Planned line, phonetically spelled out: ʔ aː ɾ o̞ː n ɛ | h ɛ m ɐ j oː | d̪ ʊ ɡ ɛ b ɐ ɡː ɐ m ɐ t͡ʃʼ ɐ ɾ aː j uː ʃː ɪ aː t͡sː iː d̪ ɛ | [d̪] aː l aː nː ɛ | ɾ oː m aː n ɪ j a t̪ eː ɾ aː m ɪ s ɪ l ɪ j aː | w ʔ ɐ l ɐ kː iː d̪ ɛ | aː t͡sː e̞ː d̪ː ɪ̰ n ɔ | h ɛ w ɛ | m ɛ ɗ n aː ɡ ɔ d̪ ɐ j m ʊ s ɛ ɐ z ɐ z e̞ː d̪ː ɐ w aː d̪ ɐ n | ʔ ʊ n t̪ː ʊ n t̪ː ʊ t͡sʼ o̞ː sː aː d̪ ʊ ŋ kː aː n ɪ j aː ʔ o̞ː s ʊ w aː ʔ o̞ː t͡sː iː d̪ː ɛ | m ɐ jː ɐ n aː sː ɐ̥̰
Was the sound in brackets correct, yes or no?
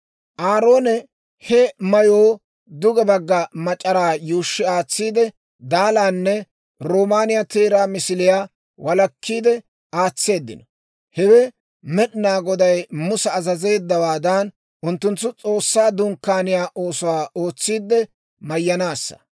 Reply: yes